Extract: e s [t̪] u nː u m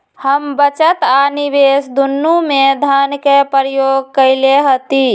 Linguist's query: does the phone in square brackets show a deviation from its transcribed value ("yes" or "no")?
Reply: yes